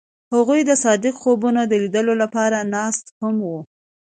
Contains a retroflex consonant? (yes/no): no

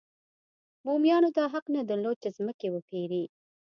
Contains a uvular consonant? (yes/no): yes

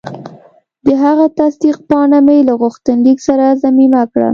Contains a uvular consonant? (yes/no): yes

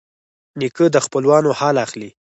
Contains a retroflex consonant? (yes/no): no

